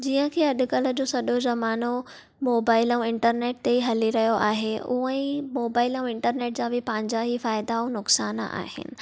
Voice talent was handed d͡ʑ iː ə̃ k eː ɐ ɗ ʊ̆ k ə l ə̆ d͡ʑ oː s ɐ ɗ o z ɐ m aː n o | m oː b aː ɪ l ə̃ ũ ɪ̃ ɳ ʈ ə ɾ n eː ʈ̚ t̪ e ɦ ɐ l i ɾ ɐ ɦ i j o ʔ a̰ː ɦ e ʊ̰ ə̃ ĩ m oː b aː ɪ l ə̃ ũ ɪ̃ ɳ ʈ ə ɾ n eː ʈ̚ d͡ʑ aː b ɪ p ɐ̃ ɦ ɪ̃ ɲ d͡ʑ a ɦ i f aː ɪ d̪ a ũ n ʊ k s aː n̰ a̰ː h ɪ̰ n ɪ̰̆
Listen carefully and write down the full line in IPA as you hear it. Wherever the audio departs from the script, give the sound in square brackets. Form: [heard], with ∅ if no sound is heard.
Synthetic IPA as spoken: d͡ʑ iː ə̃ [kʰ] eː ɐ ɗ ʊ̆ k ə l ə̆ d͡ʑ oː s ɐ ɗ o z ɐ m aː n o | m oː b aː ɪ l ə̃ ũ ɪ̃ ɳ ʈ ə ɾ n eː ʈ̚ t̪ e ɦ ɐ l i ɾ ɐ ɦ i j o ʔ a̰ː ɦ e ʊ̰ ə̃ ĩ m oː b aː ɪ l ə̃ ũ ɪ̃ ɳ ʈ ə ɾ n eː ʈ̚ d͡ʑ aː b ɪ p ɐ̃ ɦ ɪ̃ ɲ d͡ʑ a ɦ i f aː ɪ d̪ a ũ n ʊ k s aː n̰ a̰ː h ɪ̰ n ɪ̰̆